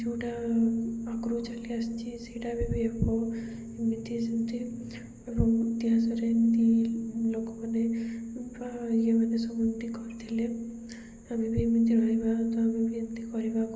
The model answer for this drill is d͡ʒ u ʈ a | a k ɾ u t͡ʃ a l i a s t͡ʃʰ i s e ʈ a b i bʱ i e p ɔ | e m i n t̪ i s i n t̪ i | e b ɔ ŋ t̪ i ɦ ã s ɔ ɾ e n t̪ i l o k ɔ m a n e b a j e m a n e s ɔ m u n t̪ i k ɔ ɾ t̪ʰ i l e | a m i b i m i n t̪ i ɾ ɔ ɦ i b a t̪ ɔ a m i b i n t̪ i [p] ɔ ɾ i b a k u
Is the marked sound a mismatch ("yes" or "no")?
yes